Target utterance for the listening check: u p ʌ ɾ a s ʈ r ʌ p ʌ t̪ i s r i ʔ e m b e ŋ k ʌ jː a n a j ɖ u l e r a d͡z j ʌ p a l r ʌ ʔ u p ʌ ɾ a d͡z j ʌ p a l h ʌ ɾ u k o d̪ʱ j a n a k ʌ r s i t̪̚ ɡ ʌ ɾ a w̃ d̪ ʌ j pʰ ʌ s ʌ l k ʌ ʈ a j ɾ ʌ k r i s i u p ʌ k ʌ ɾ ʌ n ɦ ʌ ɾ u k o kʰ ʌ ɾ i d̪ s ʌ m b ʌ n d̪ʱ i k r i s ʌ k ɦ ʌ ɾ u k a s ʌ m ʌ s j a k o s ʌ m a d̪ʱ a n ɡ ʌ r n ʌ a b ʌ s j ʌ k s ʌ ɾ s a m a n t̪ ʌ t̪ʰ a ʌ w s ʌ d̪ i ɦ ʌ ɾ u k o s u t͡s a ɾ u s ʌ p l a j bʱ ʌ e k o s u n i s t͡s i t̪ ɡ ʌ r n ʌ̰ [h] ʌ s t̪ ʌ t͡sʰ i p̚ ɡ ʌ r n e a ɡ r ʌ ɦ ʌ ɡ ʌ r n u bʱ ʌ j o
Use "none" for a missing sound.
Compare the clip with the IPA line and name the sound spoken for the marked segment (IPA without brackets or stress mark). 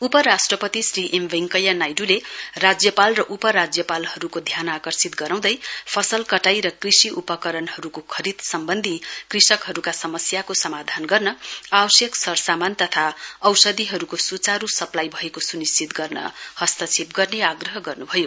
h